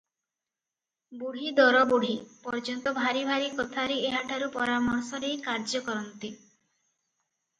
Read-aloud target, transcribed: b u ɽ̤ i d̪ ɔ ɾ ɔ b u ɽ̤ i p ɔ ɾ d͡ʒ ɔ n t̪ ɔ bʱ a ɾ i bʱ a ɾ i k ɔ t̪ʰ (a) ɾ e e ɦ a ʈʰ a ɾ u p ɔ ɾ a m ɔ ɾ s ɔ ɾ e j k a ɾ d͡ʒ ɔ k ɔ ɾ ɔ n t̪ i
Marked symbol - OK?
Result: yes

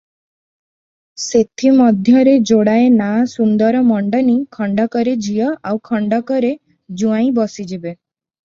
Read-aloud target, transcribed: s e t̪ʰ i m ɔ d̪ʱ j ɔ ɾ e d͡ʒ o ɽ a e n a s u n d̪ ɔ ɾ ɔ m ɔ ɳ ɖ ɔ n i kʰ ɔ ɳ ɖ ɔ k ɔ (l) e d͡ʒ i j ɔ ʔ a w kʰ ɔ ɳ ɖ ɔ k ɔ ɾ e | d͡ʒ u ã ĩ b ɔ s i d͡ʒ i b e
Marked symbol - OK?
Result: no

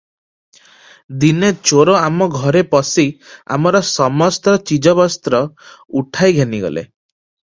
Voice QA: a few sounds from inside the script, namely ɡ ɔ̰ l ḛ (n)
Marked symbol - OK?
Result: no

